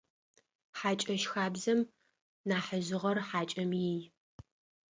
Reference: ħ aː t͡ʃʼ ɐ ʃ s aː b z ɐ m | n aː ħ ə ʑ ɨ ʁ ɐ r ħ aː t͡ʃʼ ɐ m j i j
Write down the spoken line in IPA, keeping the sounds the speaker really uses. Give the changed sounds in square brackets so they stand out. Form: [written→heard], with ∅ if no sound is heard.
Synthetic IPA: ħ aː t͡ʃʼ ɐ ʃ [s→x] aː b z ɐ m | n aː ħ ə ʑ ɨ ʁ ɐ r ħ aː t͡ʃʼ ɐ m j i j